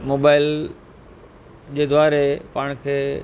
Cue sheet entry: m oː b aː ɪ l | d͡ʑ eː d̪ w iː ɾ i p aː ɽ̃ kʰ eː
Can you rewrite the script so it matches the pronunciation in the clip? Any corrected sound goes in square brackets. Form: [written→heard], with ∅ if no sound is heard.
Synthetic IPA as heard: m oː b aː ɪ l | d͡ʑ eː d̪ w [iː→aː] ɾ [i→e] p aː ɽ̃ kʰ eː